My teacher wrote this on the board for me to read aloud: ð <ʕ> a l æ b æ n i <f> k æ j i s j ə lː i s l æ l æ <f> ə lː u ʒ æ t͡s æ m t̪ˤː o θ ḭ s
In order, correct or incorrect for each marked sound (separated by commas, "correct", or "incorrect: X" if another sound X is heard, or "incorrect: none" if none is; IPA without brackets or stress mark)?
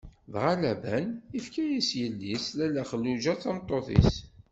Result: incorrect: ʁ, correct, incorrect: χ